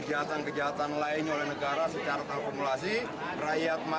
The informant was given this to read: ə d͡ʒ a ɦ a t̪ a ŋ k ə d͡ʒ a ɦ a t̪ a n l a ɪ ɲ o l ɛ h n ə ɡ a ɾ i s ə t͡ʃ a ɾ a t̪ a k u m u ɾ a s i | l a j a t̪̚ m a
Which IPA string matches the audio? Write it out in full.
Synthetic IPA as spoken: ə d͡ʒ a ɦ a t̪ a n k ə d͡ʒ a ɦ a t̪ a n l a ɪ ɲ o l ɛ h n ə ɡ a ɾ a s ə t͡ʃ a ɾ a t̪ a k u m u l a s i | r a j a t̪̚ m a